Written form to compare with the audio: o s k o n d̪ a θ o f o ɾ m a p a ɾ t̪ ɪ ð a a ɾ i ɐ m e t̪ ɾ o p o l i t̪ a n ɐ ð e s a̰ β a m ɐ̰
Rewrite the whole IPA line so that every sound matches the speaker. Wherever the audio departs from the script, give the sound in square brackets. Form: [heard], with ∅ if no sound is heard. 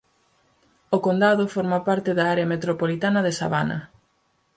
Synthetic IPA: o [∅] k o n d̪ a [ð] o f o ɾ m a p a ɾ t̪ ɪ ð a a ɾ [e] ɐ m e t̪ ɾ o p o l i t̪ a n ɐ ð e s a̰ β a [n] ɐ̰